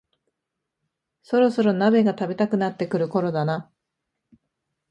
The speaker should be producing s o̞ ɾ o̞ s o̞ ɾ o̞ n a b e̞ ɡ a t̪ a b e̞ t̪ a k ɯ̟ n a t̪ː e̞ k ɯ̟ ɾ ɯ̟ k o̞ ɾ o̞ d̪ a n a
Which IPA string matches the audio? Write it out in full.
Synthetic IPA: s o̞ ɾ o̞ s o̞ ɾ o̞ n a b e̞ ɡ a t̪ a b e̞ t̪ a k ɯ̟ n a t̪ː e̞ k ɯ̟ ɾ ɯ̟ k o̞ ɾ o̞ d̪ a n a